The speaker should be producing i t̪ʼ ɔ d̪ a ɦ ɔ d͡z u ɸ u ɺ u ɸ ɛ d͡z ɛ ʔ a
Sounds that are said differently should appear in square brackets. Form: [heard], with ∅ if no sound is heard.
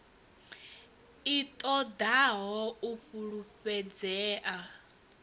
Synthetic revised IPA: i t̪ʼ ɔ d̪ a ɦ ɔ [∅] u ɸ u ɺ u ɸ ɛ d͡z [ɛː] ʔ a